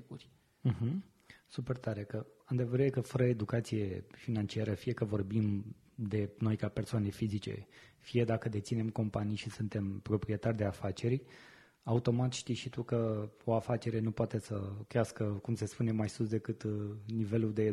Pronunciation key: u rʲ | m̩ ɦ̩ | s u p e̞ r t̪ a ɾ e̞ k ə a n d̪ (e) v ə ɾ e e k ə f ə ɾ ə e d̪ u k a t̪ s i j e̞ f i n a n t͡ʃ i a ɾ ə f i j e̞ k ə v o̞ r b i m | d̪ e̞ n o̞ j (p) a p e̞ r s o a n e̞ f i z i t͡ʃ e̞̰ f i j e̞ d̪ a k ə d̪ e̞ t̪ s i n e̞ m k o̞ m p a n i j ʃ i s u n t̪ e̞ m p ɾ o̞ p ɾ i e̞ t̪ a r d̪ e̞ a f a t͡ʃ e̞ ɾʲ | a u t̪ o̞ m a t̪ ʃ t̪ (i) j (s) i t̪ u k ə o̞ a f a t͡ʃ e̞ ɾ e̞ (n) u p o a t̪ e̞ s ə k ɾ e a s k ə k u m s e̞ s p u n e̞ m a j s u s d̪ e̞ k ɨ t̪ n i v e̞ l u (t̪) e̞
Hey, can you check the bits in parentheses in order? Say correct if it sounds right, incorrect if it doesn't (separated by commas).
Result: correct, incorrect, correct, incorrect, correct, incorrect